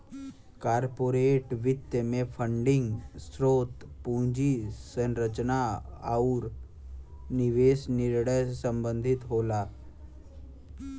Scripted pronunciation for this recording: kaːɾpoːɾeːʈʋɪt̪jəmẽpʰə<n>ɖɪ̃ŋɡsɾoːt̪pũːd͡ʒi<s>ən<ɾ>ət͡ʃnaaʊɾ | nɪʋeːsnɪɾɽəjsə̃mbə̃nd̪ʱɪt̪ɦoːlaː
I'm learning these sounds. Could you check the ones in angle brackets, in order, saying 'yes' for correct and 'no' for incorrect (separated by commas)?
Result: no, yes, yes